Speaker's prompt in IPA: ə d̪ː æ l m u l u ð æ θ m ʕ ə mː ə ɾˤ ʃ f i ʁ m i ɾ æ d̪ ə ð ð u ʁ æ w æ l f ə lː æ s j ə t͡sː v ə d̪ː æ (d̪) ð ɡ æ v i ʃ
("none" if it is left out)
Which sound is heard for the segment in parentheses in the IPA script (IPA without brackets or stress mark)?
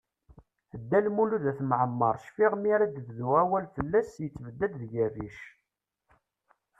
d̪